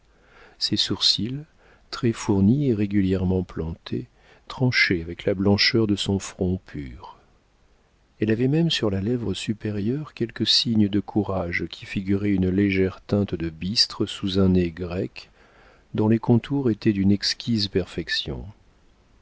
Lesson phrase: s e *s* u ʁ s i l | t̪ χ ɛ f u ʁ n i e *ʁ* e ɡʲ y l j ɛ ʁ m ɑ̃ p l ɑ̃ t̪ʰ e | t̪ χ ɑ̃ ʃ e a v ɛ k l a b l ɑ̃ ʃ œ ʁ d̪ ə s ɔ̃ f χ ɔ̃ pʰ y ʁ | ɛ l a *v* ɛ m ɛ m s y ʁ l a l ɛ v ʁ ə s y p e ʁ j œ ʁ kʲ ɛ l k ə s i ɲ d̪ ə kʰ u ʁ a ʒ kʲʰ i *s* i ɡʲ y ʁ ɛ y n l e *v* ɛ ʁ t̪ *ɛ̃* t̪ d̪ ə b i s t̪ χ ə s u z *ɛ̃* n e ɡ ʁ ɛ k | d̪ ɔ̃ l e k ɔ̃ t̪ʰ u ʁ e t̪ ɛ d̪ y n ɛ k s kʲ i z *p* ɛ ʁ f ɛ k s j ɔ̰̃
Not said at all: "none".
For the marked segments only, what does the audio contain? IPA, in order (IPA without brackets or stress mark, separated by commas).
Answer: s, ʁ, v, f, ʒ, ɛ̃, ɛ̃, p